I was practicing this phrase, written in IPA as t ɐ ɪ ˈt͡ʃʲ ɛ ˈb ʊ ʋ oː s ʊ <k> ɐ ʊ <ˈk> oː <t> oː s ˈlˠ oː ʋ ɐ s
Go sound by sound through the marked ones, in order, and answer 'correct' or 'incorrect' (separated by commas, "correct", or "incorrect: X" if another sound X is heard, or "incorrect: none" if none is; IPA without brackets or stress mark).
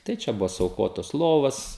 incorrect: none, correct, correct